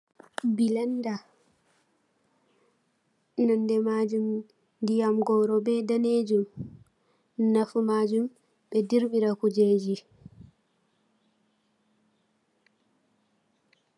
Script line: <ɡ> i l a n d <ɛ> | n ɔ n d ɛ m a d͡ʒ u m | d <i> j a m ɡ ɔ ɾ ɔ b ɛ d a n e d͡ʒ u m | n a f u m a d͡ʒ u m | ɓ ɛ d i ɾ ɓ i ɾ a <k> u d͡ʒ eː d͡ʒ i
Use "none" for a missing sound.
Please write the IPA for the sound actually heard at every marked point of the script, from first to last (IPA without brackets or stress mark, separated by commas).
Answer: b, a, i, k